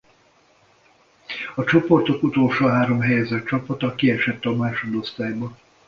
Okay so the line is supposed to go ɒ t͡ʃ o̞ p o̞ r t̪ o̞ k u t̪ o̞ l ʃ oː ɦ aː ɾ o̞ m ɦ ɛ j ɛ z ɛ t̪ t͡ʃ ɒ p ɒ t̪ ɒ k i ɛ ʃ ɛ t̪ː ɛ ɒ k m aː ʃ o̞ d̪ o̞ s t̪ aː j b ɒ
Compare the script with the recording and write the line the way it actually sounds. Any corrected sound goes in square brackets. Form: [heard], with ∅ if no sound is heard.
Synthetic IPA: ɒ t͡ʃ o̞ p o̞ r t̪ o̞ k u t̪ o̞ l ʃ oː ɦ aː ɾ o̞ m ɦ ɛ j ɛ z ɛ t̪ t͡ʃ ɒ p ɒ t̪ ɒ k i ɛ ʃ ɛ t̪ː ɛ ɒ [∅] m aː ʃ o̞ d̪ o̞ s t̪ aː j b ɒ